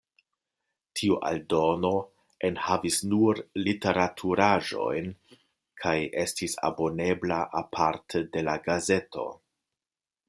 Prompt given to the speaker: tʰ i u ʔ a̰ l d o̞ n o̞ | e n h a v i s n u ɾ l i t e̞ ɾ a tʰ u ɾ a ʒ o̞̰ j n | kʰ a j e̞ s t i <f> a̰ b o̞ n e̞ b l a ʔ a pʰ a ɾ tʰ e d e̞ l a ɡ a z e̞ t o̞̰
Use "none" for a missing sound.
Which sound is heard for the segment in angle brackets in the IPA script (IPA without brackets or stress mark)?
s